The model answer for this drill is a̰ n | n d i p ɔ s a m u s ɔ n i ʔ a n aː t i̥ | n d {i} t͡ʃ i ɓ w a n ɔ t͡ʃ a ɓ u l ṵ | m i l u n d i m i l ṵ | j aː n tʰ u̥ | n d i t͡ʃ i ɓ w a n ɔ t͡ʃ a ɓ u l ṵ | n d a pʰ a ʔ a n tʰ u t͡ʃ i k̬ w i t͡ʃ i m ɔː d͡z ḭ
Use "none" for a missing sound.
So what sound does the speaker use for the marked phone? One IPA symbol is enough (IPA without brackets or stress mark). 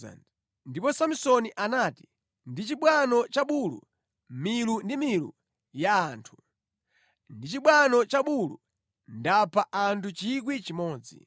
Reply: i